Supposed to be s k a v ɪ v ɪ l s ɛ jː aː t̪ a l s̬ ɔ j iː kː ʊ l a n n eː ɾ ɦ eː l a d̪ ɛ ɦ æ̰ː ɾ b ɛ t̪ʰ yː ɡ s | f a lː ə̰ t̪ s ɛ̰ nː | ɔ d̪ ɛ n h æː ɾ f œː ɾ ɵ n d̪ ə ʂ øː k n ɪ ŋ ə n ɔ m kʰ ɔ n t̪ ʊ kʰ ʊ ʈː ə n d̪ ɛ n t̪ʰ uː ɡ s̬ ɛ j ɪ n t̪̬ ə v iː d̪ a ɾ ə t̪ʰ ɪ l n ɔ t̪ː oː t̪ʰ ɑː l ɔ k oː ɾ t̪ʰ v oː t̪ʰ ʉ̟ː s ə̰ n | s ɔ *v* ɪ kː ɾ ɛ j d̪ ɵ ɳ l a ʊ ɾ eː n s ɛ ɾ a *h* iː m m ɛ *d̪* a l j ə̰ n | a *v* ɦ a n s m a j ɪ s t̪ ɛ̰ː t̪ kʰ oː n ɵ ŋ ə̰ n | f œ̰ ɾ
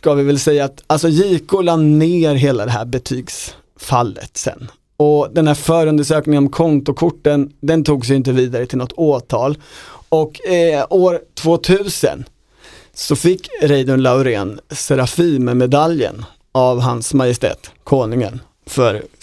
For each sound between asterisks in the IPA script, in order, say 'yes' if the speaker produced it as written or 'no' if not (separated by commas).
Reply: no, no, yes, yes